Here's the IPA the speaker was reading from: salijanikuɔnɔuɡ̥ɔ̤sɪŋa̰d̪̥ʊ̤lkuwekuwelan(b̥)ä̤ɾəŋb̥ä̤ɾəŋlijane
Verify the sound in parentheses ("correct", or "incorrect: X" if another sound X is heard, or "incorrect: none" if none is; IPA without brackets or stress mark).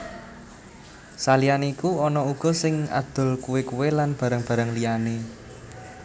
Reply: correct